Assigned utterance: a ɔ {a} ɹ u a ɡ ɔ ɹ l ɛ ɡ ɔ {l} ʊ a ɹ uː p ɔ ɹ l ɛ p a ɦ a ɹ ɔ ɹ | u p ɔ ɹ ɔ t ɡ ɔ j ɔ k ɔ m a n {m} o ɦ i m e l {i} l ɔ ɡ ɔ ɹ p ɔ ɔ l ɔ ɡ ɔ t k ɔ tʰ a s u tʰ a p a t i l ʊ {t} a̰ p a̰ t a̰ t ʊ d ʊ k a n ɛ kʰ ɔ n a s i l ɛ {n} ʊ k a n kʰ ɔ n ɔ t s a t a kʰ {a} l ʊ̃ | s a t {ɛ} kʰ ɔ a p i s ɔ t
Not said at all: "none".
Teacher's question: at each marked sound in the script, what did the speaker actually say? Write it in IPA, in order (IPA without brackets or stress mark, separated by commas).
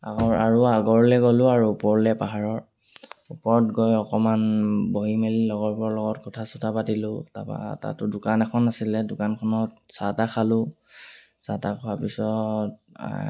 a, l, b, i, t, d, a, a